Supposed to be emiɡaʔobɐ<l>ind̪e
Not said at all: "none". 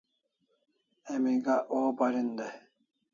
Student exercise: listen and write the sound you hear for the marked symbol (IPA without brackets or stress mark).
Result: ɾ